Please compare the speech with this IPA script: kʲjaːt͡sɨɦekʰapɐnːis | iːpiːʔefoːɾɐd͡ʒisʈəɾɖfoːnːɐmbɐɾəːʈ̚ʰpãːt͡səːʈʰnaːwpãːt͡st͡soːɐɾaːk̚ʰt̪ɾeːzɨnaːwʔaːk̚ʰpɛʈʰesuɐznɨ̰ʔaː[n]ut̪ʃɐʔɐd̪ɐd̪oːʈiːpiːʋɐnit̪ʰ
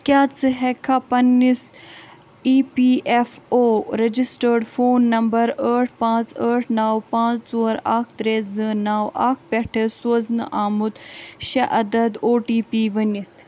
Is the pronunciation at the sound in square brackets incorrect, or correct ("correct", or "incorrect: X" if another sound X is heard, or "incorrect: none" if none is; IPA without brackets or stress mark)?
incorrect: m